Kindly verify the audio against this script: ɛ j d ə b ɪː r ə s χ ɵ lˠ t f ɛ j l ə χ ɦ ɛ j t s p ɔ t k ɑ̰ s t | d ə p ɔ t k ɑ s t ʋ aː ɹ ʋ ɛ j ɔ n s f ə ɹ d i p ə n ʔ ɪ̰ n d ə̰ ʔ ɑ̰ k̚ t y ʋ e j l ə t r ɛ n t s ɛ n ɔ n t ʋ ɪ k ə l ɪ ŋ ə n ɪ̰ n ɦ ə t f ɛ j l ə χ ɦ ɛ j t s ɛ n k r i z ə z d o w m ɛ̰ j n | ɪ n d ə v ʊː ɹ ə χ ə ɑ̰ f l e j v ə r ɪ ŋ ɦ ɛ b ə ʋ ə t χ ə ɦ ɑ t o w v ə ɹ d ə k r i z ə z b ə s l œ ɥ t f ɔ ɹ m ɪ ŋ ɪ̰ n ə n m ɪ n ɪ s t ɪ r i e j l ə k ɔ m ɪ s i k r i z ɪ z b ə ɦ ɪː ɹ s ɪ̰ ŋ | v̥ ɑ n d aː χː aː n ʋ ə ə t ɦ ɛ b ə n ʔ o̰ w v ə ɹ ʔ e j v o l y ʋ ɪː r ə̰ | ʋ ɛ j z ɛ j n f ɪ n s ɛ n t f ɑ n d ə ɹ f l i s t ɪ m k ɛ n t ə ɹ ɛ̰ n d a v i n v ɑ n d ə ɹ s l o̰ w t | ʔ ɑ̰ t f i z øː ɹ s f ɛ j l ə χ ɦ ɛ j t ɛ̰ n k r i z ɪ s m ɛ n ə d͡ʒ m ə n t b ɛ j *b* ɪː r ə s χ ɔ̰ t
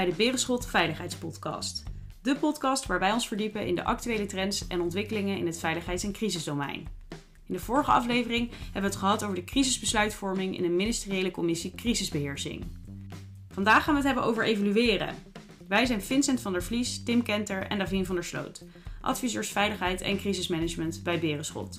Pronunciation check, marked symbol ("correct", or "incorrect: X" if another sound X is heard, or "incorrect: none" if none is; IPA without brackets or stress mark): correct